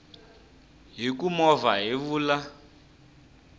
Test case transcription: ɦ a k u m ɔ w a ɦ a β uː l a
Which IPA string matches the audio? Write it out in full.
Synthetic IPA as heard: ɦ i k u m ɔ v a ɦ i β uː l a